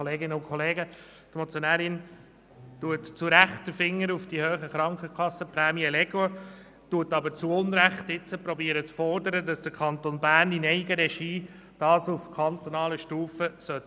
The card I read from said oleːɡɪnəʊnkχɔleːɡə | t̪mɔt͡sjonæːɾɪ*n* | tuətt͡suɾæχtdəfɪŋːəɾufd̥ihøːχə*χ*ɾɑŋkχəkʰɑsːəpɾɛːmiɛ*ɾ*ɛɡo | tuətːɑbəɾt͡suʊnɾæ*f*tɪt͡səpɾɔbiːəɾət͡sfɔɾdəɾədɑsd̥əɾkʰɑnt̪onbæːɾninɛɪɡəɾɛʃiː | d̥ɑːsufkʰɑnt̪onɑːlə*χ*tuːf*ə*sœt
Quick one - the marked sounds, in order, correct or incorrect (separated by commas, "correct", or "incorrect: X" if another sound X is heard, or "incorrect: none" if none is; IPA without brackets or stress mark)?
correct, correct, incorrect: l, incorrect: χ, incorrect: ʃ, correct